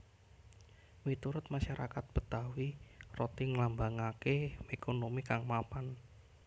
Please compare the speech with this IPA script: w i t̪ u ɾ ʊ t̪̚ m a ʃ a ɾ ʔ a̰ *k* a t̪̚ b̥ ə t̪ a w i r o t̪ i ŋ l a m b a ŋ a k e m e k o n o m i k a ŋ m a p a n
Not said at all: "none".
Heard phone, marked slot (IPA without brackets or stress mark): k